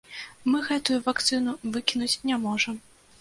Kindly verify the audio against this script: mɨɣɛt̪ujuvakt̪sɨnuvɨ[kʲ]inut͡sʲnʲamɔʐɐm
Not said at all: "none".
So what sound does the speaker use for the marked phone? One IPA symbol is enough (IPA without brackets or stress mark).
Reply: kʲ